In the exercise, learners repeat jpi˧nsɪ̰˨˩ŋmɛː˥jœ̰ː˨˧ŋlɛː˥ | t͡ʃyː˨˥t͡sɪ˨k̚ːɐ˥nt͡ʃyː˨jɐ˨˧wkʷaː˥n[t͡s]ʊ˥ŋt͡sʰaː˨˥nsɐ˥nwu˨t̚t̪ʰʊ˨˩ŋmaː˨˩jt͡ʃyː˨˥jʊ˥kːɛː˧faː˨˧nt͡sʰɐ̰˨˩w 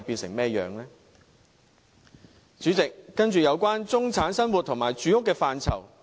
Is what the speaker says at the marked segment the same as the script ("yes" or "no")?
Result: yes